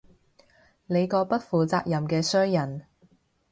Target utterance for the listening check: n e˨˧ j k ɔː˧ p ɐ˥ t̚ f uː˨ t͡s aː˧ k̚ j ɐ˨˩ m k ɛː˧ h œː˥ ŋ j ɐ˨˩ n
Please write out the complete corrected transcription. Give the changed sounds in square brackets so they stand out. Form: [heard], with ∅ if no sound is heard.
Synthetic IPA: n e˨˧ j k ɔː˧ p ɐ˥ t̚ f uː˨ t͡s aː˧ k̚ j ɐ˨˩ m k ɛː˧ [s] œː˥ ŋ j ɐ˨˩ n